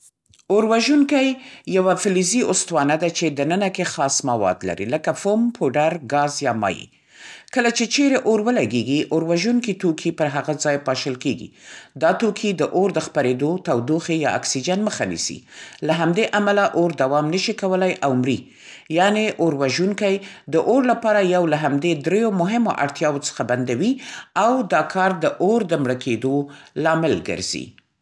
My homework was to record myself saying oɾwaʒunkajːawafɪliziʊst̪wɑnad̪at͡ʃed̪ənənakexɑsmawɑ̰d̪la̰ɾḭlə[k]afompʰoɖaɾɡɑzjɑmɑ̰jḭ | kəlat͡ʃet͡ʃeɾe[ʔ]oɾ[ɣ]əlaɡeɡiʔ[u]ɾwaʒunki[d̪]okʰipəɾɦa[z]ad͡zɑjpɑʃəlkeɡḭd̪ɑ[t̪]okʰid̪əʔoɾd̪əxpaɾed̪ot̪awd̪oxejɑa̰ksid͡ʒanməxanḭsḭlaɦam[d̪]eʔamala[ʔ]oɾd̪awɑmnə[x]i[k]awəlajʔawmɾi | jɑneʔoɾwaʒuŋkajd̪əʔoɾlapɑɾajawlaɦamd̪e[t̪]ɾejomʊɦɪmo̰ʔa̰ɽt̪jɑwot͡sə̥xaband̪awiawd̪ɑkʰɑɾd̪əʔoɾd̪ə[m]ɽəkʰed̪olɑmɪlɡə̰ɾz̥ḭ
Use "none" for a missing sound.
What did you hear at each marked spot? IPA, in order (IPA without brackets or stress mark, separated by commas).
k, ʔ, w, o, t̪, ɣ, t̪, d̪, ʔ, ʃ, k, d̪, m